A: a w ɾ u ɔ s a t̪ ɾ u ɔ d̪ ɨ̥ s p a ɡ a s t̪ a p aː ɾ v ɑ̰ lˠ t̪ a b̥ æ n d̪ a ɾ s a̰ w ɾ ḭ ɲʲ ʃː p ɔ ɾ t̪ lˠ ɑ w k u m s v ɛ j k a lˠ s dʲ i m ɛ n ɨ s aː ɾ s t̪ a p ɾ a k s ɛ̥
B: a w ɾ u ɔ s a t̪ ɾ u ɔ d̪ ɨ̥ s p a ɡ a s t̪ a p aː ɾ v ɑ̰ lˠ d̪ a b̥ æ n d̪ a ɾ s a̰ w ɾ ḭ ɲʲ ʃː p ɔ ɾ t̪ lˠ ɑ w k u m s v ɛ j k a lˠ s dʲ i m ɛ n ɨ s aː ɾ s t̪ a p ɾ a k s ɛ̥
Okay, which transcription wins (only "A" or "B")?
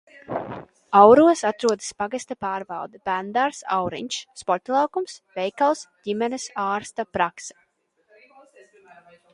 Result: B